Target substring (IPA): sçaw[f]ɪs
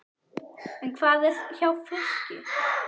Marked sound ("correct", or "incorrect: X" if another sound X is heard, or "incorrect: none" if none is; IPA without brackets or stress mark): correct